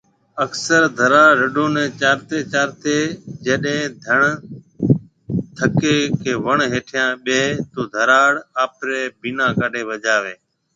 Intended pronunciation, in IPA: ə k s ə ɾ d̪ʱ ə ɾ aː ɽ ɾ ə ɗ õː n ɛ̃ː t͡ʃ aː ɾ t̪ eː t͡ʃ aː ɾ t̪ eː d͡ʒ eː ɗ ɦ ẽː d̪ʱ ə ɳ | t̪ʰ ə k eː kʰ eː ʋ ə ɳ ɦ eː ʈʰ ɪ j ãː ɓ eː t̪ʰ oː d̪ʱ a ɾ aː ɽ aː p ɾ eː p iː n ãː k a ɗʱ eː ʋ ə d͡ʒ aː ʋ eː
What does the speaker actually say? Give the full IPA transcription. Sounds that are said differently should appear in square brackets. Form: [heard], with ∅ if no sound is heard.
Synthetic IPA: ə k s ə ɾ d̪ʱ ə ɾ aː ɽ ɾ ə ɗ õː n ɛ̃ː t͡ʃ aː ɾ t̪ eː t͡ʃ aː ɾ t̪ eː d͡ʒ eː ɗ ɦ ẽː d̪ʱ ə ɳ | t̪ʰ ə k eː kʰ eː ʋ ə ɳ ɦ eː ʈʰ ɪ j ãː ɓ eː [t̪] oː d̪ʱ [ə] ɾ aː ɽ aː p ɾ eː [b] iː n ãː k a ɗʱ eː ʋ ə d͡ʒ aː ʋ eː